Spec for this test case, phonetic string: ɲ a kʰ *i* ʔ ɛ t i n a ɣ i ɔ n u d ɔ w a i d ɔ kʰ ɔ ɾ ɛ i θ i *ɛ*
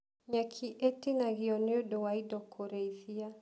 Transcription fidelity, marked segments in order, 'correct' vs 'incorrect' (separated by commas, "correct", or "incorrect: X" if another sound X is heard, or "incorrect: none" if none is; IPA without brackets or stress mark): correct, incorrect: a